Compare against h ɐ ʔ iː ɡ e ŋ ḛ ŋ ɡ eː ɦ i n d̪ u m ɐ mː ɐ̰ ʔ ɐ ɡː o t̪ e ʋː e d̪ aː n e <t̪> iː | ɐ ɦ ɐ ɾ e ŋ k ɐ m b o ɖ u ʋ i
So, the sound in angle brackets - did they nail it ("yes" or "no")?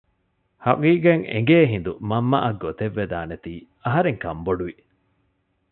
yes